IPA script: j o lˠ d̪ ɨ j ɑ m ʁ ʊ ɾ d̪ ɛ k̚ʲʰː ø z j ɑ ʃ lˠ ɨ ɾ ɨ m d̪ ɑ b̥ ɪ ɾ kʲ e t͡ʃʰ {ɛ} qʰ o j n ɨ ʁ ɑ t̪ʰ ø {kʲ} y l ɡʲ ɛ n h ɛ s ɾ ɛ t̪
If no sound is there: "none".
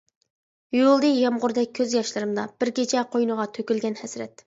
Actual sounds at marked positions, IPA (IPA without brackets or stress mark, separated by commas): ɛ, kʲ